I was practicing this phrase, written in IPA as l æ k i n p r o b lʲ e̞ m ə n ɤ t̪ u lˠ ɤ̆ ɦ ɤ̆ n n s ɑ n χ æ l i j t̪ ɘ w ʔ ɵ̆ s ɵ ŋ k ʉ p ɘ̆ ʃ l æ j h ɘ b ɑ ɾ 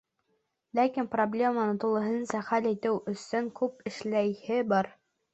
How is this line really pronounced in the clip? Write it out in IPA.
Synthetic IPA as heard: l æ k i n p r o b lʲ e̞ m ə n ɤ t̪ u lˠ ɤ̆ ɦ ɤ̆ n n s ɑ χ æ l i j t̪ ɘ w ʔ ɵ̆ s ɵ ŋ k ʉ p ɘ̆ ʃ l æ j h ɘ b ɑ ɾ